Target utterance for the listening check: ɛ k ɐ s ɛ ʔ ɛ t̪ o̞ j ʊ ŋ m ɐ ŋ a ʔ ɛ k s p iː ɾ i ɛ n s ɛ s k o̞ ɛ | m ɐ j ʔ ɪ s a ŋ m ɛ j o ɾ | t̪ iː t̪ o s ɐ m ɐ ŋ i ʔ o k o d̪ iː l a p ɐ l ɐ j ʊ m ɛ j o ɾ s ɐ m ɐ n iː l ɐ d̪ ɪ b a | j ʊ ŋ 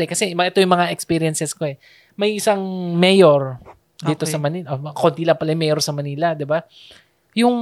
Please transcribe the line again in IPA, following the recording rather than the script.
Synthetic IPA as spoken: ɛ k ɐ s ɛ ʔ ɛ t̪ o̞ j ʊ ŋ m ɐ ŋ a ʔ ɛ k s p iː ɾ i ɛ n s ɛ s k o̞ ɛ | m ɐ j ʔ ɪ s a ŋ m ɛ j o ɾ | d̪ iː t̪ o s ɐ m ɐ n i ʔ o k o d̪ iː l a p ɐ l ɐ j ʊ m ɛ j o ɾ s ɐ m ɐ n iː l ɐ d̪ ɪ b a | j ʊ ŋ